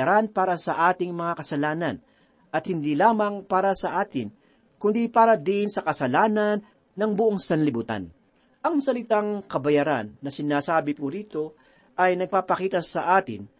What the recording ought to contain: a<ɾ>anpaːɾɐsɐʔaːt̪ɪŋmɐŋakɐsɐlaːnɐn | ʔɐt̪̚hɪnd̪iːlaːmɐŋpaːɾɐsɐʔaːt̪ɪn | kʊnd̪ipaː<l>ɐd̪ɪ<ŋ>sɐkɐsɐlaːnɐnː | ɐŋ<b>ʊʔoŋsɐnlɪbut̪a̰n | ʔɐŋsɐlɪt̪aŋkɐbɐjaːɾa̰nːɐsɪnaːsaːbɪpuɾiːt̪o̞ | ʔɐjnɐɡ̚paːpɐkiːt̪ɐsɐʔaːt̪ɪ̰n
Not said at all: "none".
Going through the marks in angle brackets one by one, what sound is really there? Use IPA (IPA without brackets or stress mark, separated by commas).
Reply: ɾ, ɾ, n, b